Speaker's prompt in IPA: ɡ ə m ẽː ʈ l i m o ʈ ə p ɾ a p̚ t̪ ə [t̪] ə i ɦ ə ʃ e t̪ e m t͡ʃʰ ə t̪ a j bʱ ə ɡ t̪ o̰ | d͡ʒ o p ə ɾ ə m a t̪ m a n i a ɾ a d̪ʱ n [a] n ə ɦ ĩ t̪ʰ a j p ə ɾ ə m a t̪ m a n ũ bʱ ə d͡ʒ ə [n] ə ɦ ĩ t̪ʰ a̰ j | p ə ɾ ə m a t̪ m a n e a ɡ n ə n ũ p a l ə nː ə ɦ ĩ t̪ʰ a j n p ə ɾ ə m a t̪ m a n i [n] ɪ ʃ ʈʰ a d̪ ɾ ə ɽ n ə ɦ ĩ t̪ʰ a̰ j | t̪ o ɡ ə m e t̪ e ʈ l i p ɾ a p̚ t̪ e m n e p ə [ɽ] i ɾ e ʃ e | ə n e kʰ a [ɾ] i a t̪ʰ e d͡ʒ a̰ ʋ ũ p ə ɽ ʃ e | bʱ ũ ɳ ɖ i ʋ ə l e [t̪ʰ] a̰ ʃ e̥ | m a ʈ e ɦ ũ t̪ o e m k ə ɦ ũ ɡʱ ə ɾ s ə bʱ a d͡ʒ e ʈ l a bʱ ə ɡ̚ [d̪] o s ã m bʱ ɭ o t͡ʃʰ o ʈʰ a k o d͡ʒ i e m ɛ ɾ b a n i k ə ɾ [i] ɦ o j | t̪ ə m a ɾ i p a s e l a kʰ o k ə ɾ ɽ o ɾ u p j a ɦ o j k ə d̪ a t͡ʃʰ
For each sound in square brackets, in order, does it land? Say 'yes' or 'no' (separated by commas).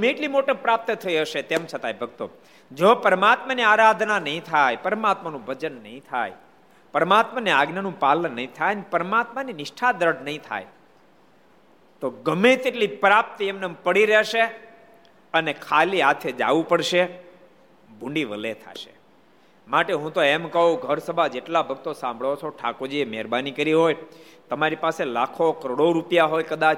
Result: no, yes, no, yes, yes, no, yes, no, yes